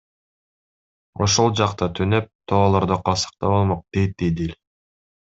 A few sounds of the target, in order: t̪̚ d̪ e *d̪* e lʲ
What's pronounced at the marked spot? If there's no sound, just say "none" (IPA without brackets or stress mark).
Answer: d̪